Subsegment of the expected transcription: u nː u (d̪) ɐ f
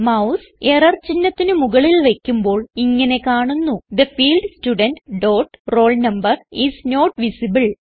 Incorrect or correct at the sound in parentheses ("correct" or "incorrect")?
correct